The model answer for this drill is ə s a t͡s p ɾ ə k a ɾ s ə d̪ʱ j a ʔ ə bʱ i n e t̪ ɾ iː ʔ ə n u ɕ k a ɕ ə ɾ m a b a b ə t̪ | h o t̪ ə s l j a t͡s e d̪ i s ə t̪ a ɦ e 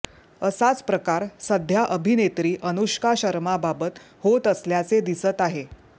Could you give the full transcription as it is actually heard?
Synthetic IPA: ə s a t͡s p ɾ ə k a ɾ s ə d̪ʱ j a ʔ ə bʱ i n e t̪ ɾ iː ʔ ə n u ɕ k a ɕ ə ɾ m a b a b ə t̪ | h o t̪ ə s l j a t͡s e d̪ i s ə t̪ a ɦ e